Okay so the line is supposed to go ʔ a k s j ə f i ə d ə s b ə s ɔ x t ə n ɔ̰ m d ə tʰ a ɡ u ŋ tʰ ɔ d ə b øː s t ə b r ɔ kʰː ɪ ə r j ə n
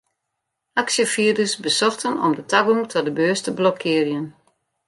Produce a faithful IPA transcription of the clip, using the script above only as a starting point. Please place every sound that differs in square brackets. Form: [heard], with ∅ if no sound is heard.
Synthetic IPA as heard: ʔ a k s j ə f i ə d ə s b ə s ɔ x t ə n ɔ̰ m d ə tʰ a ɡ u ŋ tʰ ɔ d ə b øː s t ə b [l] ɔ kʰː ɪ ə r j ə n